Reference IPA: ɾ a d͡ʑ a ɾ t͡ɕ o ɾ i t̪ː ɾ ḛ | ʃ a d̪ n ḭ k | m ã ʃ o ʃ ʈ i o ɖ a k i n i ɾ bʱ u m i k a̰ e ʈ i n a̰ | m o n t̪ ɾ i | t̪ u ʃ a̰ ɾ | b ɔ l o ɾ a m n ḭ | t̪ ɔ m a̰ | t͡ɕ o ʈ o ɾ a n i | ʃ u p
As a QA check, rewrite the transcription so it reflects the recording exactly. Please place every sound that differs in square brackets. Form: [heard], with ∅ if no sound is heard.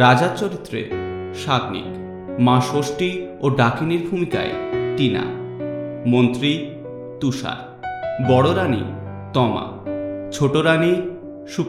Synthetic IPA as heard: ɾ a d͡ʑ a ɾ t͡ɕ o ɾ i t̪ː ɾ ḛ | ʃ a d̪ n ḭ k | m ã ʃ o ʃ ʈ i o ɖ a k i n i ɾ bʱ u m i k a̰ e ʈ i n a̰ | m o n t̪ ɾ i | t̪ u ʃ a̰ ɾ | b ɔ [ɽ] o ɾ a [∅] n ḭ | t̪ ɔ m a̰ | [t͡ɕʰ] o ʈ o ɾ a n i | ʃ u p